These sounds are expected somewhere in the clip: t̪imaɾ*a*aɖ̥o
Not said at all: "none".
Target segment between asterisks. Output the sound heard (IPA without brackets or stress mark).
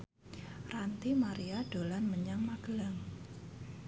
i